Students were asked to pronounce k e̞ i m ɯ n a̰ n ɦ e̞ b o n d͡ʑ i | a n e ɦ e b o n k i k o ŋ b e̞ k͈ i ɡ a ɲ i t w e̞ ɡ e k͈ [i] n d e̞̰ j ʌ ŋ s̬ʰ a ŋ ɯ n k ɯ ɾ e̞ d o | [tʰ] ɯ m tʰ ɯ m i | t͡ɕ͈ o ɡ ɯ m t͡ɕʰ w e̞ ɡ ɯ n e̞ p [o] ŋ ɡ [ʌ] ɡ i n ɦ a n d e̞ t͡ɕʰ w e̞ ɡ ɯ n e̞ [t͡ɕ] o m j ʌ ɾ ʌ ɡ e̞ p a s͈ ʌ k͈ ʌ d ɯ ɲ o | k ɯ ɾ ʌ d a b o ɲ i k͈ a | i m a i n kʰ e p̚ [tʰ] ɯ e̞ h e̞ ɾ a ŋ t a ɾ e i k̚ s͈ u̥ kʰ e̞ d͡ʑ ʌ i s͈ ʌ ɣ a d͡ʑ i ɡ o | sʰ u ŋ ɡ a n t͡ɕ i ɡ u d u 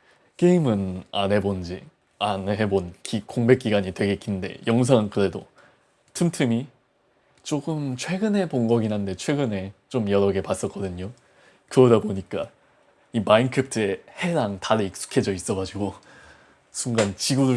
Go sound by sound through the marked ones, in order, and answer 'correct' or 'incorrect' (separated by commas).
correct, correct, correct, correct, correct, correct